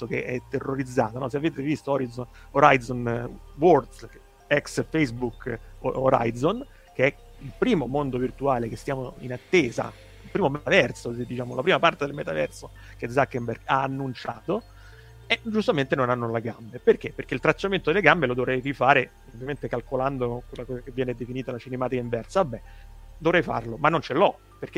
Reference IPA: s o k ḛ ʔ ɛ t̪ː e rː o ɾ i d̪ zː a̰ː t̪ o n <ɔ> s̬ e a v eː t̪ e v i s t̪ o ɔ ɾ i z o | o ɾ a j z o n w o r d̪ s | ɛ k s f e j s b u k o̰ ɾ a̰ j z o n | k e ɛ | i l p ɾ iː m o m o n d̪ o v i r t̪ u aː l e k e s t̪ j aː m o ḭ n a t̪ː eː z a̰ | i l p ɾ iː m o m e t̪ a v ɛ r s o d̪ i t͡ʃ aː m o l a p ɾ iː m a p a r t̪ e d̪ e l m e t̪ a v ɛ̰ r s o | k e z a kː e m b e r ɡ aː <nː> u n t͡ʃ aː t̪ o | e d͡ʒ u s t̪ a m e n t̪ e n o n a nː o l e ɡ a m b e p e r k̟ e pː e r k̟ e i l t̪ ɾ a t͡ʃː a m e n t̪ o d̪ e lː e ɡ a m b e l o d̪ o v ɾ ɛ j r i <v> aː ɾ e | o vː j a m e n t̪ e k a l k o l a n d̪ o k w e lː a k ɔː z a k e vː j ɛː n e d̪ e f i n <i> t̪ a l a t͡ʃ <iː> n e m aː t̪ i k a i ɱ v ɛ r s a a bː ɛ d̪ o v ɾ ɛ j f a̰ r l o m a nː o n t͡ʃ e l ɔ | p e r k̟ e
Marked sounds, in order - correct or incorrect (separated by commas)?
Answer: correct, correct, incorrect, incorrect, incorrect